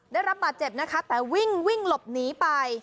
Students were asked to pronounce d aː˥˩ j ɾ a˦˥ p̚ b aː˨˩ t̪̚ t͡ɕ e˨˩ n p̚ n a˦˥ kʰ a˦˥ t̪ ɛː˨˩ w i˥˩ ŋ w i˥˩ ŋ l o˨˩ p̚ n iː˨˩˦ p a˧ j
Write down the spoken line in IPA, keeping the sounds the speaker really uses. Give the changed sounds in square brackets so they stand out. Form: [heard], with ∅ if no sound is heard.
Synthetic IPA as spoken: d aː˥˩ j ɾ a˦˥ p̚ b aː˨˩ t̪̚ t͡ɕ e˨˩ [∅] p̚ n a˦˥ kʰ a˦˥ t̪ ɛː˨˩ w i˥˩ ŋ w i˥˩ ŋ l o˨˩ p̚ n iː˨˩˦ p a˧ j

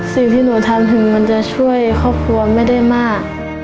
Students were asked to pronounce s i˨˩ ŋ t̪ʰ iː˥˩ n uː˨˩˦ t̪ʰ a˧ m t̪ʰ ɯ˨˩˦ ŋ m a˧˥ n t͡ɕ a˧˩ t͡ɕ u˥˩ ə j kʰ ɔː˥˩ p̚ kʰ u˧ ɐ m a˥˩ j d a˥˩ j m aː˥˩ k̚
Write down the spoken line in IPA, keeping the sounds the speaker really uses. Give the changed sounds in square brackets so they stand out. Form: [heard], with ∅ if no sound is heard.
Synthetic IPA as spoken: s i˨˩ ŋ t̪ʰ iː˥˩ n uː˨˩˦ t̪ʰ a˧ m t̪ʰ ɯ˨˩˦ ŋ m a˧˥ n t͡ɕ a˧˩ [t͡ɕʰ] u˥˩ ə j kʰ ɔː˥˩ p̚ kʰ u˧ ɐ m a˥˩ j d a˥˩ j m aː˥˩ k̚

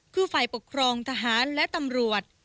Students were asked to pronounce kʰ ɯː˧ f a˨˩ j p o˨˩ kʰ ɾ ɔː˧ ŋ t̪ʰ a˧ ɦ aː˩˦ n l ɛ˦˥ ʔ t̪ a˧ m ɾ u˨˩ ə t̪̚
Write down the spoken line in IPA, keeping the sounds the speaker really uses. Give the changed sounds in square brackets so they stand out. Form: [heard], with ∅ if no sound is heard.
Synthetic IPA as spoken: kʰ ɯː˧ f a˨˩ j p o˨˩ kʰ ɾ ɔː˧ ŋ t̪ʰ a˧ ɦ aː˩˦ n l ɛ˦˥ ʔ t̪ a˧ m ɾ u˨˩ ə t̪̚

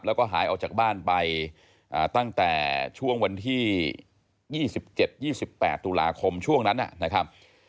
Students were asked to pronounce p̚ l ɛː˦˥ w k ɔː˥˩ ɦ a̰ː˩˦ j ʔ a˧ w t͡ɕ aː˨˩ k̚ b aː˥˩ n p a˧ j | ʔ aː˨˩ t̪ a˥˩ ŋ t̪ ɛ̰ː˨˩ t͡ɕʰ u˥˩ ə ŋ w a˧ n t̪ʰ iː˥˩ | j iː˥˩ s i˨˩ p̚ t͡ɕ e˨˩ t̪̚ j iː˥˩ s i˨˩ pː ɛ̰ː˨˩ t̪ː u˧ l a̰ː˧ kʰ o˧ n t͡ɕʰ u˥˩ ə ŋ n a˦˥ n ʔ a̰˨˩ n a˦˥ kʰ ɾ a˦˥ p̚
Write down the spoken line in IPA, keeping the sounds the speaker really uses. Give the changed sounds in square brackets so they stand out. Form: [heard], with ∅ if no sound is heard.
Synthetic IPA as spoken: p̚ l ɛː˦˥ w k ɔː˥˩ ɦ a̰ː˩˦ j ʔ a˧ w t͡ɕ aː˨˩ k̚ b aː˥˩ n p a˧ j | ʔ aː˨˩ t̪ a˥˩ ŋ t̪ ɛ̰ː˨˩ t͡ɕʰ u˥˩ ə ŋ w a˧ n t̪ʰ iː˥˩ | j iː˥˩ s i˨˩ p̚ t͡ɕ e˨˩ t̪̚ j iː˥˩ s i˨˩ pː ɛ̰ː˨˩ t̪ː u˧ l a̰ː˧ kʰ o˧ [m] t͡ɕʰ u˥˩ ə ŋ n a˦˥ n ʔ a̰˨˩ n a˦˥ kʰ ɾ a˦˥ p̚

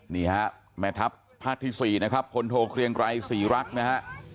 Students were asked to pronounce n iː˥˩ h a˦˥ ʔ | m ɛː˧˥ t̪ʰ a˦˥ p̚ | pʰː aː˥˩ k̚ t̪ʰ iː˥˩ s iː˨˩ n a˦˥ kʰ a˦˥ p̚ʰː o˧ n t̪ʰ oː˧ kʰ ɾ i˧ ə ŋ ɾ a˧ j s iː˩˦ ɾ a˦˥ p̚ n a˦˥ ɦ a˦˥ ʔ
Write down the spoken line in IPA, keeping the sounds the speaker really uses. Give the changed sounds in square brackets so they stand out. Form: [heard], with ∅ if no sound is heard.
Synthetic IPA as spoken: n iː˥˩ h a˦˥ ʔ | m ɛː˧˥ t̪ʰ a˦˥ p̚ | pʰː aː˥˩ k̚ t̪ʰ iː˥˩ s iː˨˩ n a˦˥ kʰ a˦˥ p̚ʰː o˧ n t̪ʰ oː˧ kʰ ɾ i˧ ə ŋ ɾ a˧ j s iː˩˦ ɾ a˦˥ [k̚] n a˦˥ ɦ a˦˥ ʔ

